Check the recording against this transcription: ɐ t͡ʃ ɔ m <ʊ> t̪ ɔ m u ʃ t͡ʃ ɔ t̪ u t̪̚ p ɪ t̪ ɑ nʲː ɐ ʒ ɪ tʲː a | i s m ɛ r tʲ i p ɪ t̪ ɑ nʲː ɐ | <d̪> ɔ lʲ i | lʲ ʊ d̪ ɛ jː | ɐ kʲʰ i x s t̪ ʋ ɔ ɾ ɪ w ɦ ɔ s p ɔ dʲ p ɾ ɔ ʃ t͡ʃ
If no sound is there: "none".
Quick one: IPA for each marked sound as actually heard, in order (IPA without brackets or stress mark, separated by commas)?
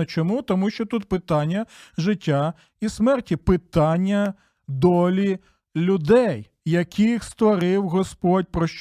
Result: u, d̪